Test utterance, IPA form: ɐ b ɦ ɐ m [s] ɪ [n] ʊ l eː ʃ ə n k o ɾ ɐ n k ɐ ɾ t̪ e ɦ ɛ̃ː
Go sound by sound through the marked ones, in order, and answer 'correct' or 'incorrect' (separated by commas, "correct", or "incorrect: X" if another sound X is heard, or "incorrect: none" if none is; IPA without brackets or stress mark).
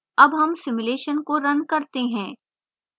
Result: correct, incorrect: m